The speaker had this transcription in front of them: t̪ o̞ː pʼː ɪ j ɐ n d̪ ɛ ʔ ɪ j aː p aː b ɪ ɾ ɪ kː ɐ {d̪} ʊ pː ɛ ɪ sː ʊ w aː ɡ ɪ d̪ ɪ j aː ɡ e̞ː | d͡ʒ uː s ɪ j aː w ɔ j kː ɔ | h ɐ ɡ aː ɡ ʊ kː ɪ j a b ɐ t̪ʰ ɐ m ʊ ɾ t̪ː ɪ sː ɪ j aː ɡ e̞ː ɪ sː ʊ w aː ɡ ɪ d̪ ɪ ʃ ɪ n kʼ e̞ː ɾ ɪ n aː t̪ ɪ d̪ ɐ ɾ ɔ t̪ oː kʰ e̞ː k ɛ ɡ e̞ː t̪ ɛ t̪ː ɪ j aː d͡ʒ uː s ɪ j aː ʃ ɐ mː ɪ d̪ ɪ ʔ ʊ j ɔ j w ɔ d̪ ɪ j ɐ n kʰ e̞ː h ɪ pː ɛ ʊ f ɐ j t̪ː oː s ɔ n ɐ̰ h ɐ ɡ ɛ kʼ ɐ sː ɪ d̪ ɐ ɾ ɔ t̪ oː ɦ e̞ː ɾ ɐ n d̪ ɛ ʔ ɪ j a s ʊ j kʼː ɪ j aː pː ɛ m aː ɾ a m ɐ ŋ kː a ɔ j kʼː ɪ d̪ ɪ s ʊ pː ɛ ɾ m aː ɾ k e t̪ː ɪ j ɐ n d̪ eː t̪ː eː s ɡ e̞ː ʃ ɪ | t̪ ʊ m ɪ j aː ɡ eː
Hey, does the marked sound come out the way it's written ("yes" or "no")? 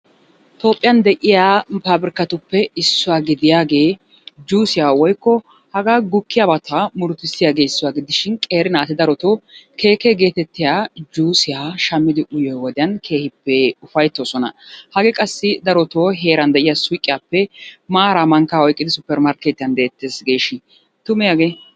no